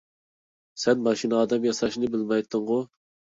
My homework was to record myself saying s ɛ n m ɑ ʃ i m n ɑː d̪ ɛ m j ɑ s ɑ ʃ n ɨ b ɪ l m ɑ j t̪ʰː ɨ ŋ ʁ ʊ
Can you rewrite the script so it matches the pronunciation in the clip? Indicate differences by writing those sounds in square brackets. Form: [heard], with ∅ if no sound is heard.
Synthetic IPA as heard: s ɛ n m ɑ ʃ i [∅] n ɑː d̪ ɛ m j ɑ s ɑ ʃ n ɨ b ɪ l m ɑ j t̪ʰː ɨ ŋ ʁ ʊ